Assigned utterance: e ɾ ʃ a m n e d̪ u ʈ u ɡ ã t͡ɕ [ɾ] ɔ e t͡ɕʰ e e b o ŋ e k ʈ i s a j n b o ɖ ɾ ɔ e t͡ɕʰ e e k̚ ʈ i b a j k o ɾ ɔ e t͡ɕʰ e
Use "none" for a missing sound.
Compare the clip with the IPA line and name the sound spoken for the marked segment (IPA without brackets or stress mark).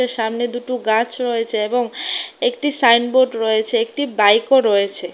ɾ